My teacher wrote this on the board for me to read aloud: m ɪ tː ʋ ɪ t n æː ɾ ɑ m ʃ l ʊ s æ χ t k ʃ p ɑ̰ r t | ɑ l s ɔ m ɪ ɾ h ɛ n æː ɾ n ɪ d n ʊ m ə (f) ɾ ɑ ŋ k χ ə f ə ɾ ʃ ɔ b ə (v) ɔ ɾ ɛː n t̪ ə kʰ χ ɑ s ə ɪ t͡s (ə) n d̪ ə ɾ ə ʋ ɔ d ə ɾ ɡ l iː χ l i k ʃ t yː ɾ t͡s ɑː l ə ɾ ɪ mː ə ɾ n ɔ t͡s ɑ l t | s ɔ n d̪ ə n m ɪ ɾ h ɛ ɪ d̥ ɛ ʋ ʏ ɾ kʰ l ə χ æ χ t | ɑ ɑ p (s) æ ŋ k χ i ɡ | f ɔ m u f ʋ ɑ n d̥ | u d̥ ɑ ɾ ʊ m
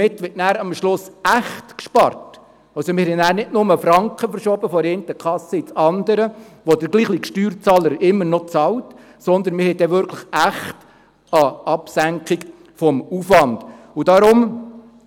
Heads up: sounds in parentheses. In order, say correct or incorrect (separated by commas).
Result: correct, incorrect, incorrect, correct